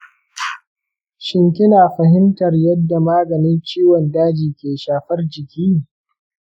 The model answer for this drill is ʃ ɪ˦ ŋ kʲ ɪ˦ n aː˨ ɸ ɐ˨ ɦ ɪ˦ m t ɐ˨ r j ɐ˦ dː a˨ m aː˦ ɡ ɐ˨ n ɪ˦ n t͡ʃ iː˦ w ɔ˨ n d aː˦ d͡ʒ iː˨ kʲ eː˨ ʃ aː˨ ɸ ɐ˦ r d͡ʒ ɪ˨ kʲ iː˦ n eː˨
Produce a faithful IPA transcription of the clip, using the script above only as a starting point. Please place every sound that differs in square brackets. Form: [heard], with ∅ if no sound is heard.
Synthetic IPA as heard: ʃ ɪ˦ ŋ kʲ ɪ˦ n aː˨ ɸ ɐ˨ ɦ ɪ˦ m t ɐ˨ r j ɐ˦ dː a˨ m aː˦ ɡ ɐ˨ n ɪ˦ n t͡ʃ iː˦ w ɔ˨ n d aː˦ d͡ʒ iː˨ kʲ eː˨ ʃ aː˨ ɸ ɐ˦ r d͡ʒ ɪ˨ kʲ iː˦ n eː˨